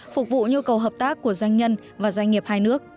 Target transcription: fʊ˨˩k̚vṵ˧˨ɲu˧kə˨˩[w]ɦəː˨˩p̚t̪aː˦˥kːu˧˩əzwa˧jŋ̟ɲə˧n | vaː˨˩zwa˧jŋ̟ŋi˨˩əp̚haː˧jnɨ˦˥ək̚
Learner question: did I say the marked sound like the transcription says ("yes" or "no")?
yes